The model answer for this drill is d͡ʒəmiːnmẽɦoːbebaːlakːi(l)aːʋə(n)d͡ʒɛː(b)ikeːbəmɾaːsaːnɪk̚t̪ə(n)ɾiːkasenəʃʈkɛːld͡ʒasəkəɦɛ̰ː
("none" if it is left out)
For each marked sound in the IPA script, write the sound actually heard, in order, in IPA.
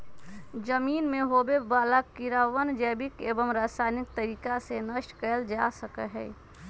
ɾ, n, b, none

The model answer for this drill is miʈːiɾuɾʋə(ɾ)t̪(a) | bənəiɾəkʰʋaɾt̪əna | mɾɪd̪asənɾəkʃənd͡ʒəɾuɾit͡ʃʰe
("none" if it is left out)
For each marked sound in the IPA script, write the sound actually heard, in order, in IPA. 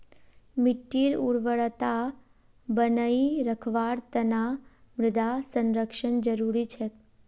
ɭ, a

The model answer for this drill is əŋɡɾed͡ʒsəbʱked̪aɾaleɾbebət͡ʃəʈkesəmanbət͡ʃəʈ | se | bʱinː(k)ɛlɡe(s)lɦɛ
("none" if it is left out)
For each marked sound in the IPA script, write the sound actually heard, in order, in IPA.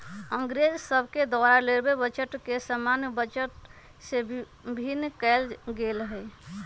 k, none

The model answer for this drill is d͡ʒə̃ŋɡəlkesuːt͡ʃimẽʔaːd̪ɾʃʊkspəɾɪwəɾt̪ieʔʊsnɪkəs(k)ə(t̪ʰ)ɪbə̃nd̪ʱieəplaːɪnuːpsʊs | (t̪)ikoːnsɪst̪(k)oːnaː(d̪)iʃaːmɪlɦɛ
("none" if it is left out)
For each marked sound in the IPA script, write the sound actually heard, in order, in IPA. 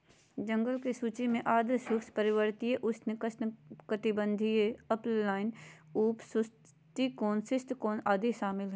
k, t̪, t̪, k, d̪

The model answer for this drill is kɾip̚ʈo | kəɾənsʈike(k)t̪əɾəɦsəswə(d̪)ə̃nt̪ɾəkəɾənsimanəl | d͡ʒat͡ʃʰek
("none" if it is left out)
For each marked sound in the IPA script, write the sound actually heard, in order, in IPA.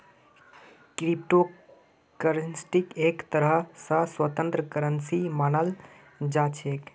k, t̪

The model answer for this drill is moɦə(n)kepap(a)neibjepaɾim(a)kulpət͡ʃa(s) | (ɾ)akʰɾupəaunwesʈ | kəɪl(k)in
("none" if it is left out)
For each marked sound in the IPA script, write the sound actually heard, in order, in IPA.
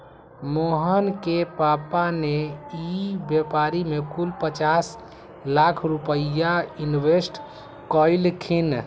n, a, e, s, l, kʰ

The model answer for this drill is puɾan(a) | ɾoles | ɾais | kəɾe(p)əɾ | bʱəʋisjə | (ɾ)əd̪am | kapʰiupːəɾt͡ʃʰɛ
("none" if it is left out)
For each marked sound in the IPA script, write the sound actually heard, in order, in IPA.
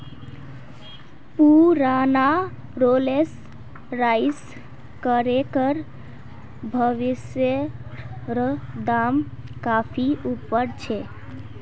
a, k, ɾ

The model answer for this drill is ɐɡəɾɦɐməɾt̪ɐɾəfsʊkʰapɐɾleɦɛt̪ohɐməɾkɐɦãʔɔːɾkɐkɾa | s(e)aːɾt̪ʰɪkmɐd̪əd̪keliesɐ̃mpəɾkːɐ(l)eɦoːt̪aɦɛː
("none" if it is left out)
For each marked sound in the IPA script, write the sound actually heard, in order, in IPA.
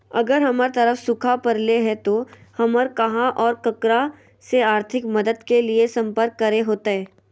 e, ɾ

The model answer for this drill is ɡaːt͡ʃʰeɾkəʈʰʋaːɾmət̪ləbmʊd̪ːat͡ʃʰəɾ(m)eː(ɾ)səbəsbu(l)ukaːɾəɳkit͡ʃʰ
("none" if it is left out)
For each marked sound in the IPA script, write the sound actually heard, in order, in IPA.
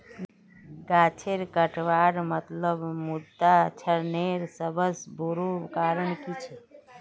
n, ɾ, ɾ

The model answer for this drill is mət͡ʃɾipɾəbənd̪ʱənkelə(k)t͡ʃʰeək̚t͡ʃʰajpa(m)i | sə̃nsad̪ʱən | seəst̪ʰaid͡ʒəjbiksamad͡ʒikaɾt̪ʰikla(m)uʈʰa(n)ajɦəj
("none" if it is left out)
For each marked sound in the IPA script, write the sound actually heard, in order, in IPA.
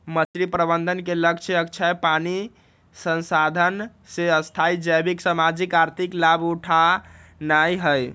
k, n, b, n

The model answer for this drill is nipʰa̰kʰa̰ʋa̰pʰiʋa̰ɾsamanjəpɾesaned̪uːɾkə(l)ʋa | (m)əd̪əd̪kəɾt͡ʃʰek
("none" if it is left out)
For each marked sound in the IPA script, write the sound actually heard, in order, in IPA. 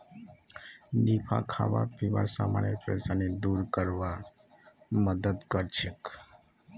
ɾ, m

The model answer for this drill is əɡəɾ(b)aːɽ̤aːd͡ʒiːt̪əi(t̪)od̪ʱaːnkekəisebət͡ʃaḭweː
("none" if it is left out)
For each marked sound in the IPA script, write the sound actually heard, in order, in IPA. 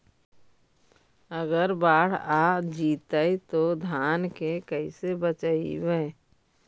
b, t̪

